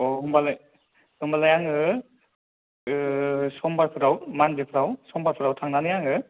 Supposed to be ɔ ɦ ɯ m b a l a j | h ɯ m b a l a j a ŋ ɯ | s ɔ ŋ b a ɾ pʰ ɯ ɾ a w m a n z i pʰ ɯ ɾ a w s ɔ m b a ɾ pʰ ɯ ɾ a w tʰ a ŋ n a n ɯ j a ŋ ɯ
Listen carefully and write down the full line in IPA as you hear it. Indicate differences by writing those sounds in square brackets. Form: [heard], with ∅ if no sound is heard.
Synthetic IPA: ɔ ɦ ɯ m b a l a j | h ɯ m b a l a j a ŋ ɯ | s ɔ [m] b a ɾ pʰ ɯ ɾ a w m a n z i pʰ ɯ ɾ a w s ɔ m b a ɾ pʰ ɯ ɾ a w tʰ a ŋ n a n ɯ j a ŋ ɯ